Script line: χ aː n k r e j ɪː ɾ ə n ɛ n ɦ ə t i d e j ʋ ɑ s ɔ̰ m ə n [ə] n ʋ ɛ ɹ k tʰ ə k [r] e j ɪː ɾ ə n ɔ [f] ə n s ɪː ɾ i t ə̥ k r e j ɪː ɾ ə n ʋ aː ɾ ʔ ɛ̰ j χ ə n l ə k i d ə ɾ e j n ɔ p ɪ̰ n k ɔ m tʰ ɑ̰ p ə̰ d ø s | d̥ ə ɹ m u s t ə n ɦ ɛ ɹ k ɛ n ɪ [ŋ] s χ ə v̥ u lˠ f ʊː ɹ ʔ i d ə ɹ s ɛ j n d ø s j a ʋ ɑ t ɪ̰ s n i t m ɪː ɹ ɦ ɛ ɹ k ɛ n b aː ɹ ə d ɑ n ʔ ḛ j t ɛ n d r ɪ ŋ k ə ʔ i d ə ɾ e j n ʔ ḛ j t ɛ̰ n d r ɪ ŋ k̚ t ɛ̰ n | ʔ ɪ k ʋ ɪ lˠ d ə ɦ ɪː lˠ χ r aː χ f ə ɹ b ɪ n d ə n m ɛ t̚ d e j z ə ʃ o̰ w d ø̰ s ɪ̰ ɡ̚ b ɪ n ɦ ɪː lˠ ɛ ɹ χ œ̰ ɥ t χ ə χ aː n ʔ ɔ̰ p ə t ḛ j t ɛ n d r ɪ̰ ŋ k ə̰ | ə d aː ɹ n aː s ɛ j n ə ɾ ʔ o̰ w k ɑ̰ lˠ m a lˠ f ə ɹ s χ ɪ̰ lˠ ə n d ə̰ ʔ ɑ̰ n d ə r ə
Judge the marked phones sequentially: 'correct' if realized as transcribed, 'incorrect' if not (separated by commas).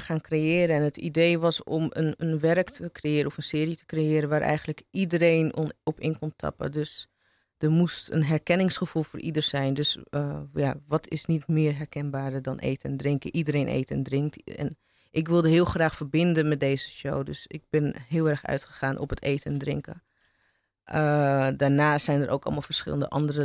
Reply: correct, correct, correct, correct